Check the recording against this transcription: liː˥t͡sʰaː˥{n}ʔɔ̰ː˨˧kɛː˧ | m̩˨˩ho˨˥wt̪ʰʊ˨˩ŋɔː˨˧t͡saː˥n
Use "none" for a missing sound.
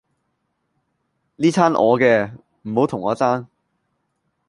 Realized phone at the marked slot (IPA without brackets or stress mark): n